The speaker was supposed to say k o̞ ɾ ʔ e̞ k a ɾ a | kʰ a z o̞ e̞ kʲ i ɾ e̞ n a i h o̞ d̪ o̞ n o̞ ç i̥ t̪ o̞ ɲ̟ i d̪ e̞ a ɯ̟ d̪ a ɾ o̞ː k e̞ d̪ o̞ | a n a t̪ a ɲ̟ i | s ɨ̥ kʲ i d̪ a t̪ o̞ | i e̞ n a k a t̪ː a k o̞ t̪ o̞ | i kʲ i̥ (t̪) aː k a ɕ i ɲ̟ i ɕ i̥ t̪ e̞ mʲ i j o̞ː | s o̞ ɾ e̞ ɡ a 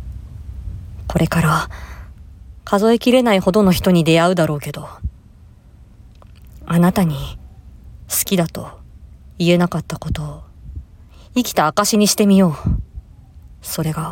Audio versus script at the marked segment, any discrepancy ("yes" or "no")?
no